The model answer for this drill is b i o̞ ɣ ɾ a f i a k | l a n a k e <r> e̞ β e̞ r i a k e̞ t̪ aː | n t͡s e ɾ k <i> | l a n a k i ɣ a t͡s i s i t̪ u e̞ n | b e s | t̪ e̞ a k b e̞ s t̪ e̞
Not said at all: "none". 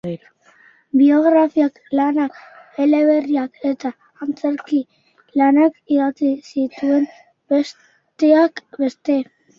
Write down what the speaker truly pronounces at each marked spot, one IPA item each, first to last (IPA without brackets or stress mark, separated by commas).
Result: l, i